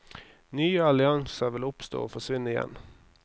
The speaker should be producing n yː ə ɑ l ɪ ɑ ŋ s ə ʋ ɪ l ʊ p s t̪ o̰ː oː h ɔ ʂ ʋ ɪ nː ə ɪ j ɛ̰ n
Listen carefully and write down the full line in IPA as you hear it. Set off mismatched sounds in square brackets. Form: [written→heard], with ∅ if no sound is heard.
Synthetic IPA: n yː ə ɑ l ɪ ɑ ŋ s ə ʋ ɪ l ʊ p s t̪ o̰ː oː [h→f] ɔ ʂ ʋ ɪ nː ə ɪ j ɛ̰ n